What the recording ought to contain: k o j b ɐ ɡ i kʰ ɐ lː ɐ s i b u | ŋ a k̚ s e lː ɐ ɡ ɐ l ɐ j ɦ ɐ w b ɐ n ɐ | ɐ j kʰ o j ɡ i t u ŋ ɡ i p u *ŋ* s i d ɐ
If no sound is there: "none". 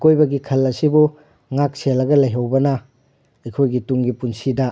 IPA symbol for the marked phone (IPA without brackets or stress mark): n